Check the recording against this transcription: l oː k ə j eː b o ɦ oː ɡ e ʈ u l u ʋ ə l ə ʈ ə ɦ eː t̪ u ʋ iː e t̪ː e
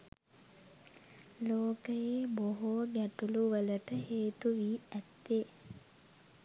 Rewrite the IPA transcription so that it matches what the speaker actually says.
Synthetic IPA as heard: l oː k ə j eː b o ɦ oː ɡ æ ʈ u l u ʋ ə l ə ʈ ə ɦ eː t̪ u ʋ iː æ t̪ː e